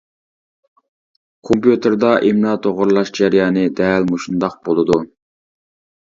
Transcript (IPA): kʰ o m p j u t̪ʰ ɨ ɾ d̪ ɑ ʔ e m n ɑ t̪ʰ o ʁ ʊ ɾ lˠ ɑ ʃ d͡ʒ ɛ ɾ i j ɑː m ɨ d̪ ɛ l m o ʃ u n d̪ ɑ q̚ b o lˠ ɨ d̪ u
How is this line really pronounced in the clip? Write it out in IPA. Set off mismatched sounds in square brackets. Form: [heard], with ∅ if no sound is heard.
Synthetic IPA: kʰ o m p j u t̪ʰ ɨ ɾ d̪ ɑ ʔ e m n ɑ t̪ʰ o ʁ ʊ ɾ lˠ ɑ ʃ d͡ʒ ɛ ɾ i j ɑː [n] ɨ d̪ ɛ l m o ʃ u n d̪ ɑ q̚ b o lˠ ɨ d̪ u